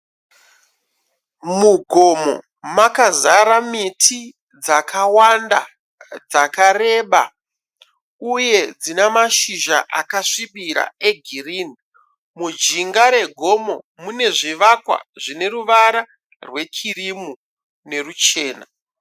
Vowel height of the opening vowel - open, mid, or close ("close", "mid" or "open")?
close